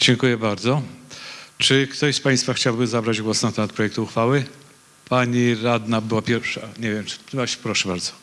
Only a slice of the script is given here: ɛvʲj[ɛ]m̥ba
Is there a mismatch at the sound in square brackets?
no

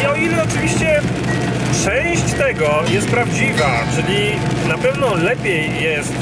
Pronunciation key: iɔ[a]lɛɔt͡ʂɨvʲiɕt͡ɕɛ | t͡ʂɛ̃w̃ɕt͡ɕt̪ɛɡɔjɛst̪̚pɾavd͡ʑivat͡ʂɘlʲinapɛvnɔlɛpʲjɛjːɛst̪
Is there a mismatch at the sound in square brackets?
yes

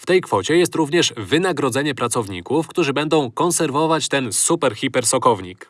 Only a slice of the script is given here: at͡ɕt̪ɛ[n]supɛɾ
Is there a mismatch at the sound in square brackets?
no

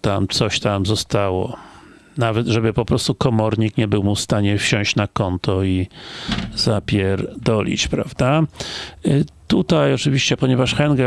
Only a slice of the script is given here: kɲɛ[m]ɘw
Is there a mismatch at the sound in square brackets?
yes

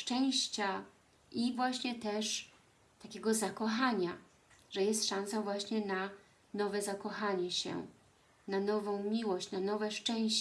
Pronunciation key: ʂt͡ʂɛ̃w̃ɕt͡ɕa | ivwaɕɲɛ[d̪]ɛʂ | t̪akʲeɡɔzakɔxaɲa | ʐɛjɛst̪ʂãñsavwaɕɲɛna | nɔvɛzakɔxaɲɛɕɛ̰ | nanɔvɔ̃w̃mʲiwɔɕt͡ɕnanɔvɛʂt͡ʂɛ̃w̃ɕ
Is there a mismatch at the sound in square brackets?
yes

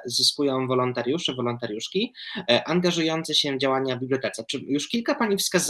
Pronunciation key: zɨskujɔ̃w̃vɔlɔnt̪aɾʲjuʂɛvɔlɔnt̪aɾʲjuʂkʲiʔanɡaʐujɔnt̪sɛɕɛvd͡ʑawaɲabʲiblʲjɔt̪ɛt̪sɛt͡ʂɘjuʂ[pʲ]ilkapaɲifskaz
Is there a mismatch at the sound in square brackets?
yes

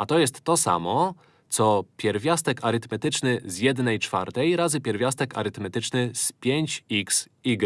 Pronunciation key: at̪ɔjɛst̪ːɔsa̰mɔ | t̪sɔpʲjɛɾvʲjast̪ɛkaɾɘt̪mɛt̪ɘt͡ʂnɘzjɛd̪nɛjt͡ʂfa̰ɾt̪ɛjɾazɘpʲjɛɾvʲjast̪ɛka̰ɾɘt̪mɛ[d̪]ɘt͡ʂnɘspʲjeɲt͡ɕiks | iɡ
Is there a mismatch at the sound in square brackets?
yes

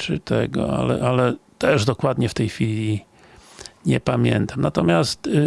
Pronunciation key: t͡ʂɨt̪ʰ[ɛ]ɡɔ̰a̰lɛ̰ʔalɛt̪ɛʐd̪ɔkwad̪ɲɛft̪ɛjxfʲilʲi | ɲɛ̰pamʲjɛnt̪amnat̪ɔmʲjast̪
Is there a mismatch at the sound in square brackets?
no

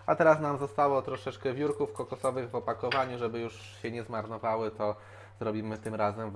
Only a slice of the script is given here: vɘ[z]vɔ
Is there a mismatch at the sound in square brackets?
yes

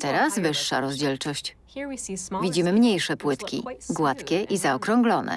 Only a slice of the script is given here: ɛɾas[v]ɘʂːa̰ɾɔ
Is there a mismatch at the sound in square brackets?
no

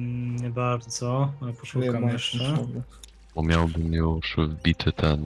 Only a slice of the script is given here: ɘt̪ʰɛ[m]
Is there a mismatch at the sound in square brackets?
yes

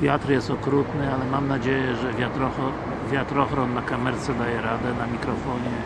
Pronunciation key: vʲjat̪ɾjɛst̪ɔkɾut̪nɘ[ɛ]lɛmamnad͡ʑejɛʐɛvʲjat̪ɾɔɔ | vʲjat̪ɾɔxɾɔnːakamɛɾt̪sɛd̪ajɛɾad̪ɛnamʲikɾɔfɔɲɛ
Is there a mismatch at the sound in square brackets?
yes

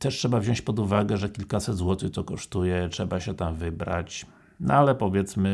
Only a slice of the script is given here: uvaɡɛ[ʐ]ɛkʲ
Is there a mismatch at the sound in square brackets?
no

